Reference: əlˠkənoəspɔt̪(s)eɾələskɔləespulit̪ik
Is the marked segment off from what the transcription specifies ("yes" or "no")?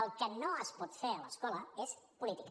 yes